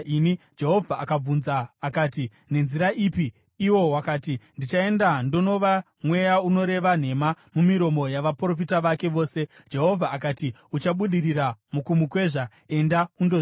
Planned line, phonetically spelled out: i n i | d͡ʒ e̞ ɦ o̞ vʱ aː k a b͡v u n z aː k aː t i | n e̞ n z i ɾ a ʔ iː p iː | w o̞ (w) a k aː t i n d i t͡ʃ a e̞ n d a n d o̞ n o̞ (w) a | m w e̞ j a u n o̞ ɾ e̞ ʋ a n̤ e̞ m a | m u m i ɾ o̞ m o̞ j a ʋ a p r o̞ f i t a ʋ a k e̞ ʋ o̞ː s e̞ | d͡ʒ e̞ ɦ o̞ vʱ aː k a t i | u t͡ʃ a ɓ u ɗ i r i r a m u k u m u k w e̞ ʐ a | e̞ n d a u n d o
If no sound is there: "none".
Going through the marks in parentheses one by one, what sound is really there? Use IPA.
w, ʋ

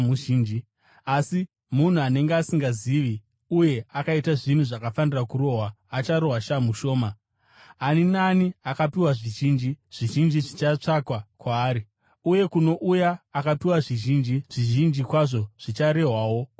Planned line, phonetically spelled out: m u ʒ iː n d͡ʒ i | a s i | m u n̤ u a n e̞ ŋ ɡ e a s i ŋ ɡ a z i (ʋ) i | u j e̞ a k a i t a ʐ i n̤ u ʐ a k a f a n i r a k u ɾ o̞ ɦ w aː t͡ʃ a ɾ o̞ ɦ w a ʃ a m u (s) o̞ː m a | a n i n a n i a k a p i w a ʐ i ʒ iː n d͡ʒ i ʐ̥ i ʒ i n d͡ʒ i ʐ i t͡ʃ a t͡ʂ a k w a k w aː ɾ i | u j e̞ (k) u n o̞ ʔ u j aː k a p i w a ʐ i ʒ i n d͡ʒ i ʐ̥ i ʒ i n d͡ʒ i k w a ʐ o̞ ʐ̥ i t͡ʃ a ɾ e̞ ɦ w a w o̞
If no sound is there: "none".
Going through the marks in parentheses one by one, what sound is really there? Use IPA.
ʋ, ʃ, k

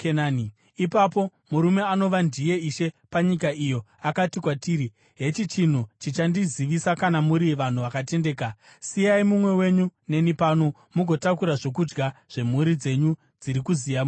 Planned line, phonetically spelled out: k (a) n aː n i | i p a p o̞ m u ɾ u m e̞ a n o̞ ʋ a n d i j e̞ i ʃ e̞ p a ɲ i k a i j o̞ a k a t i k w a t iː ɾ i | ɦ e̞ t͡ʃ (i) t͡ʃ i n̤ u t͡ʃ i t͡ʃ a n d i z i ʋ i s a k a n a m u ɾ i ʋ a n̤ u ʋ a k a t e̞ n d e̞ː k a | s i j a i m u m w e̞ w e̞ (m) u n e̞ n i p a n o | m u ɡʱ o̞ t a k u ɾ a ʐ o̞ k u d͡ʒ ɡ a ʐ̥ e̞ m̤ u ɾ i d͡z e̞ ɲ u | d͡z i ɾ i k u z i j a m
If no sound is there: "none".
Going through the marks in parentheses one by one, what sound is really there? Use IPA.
e, i, ɲ

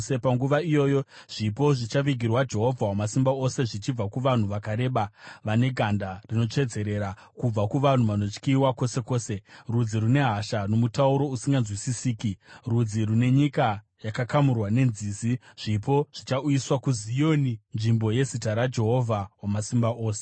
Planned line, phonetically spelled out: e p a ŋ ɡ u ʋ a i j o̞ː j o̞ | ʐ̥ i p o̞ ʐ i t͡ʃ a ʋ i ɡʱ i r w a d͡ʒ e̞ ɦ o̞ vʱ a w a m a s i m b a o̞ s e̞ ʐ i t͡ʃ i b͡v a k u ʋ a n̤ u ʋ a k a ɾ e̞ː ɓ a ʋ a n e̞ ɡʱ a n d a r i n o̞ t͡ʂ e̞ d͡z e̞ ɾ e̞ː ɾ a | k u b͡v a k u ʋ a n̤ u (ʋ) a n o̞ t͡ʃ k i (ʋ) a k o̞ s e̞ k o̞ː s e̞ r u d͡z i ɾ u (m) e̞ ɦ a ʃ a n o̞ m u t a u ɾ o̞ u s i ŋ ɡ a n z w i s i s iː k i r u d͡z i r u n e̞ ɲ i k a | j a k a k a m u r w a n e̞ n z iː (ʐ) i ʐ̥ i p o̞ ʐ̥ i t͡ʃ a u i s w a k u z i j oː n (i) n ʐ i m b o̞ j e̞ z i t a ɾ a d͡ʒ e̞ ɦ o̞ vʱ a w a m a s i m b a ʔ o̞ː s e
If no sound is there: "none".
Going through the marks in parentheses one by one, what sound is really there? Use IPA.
ʋ, w, n, z, i

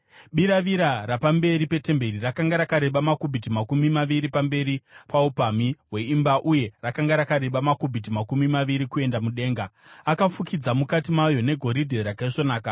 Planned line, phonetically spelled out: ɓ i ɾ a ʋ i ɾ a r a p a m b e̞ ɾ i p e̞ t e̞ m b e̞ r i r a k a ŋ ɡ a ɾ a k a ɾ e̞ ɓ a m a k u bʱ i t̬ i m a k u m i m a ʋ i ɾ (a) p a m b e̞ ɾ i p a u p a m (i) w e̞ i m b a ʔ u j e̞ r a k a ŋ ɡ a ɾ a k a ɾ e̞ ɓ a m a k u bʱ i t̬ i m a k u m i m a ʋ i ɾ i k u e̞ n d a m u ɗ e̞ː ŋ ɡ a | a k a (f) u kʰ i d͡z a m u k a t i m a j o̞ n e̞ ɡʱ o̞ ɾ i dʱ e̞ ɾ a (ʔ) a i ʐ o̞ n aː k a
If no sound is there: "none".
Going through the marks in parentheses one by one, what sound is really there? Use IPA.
i, i, f, k

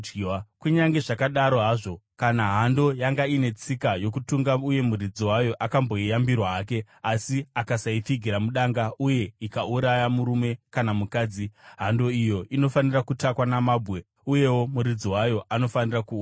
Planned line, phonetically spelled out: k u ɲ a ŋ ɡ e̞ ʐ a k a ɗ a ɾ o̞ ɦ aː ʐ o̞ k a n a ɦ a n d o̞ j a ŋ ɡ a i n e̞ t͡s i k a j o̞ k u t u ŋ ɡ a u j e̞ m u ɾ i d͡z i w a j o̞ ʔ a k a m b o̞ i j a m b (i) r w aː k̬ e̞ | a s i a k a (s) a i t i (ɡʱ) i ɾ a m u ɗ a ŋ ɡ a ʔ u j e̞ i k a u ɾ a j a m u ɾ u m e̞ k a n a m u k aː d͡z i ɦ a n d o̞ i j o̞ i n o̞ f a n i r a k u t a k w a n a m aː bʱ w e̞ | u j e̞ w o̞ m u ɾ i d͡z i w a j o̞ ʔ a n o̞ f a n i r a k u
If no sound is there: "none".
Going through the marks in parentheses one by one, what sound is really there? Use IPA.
i, s, ɡʱ

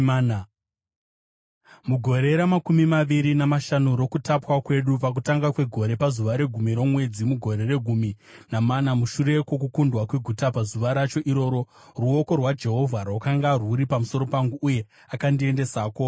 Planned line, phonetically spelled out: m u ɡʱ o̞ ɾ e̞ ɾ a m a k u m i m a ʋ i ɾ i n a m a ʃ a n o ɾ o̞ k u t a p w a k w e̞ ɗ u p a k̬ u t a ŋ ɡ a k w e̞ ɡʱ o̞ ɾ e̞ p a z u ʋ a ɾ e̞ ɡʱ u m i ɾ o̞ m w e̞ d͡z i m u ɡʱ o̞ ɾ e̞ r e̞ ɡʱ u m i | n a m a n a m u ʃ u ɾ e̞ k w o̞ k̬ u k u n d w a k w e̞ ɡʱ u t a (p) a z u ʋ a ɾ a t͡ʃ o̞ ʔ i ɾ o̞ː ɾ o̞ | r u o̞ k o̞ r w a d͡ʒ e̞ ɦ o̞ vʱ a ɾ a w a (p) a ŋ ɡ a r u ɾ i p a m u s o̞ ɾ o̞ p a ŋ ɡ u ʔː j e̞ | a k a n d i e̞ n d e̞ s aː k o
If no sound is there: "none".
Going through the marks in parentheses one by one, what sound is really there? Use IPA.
p, k

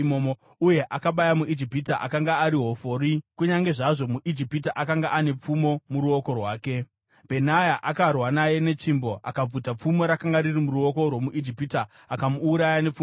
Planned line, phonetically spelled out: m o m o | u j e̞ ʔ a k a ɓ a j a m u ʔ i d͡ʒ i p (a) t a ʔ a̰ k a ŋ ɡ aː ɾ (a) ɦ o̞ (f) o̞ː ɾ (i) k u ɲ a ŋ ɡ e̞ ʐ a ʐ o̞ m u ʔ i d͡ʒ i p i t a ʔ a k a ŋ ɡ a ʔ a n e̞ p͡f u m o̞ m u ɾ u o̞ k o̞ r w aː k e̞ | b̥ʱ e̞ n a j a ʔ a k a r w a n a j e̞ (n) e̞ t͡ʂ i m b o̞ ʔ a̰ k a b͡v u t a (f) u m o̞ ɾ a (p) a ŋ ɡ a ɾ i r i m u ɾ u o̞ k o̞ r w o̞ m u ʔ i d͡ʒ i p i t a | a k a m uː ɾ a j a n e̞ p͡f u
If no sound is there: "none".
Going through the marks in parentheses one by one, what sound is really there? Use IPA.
i, i, f, i, n, p͡f, k

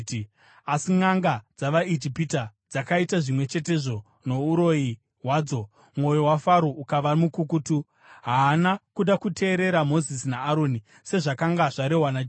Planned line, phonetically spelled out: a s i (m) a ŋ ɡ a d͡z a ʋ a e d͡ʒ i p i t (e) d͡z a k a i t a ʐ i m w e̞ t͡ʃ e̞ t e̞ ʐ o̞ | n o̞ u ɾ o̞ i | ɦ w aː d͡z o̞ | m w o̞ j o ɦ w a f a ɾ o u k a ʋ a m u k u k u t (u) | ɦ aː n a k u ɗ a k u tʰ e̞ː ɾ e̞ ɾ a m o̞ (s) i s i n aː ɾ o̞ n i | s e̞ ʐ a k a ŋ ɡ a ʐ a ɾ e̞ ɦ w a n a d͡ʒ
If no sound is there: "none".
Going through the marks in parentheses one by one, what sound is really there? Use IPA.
ŋ, a, u, z

